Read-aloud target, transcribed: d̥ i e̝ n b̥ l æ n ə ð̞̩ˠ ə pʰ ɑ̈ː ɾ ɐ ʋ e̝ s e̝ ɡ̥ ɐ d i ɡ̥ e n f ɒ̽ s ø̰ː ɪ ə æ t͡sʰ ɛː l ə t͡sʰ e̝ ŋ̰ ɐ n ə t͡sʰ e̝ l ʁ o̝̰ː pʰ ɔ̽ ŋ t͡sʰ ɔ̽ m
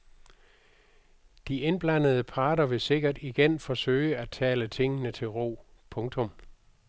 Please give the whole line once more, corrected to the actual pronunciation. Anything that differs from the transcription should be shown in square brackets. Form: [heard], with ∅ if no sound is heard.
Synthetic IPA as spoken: d̥ i e̝ n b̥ l æ n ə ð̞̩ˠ ə pʰ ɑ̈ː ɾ ɐ ʋ e̝ s e̝ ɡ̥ ɐ d i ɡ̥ e n f ɒ̽ s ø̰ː ɪ ə æ t͡sʰ ɛː l ə t͡sʰ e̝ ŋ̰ [ə] n ə t͡sʰ e̝ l ʁ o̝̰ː pʰ ɔ̽ ŋ t͡sʰ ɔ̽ m